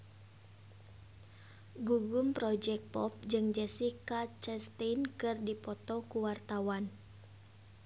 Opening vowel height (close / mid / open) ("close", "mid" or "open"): close